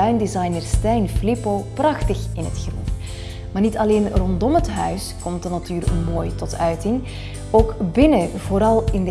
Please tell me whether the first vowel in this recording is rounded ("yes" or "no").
yes